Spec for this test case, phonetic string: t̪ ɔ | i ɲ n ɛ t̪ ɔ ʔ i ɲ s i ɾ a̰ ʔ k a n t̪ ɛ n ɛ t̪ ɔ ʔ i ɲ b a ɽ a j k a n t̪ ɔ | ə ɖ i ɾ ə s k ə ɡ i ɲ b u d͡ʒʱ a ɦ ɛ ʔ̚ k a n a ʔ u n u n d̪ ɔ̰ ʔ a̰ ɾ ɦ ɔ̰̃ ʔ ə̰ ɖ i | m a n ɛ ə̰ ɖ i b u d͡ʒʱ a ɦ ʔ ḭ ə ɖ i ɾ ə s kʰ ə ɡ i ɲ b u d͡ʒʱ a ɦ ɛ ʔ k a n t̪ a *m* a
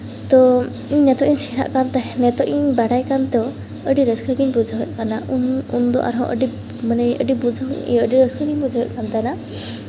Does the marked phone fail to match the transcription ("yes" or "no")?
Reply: yes